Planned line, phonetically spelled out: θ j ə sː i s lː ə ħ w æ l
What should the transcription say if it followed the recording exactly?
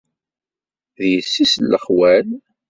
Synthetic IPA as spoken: ð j ə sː i s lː ə χ w æ l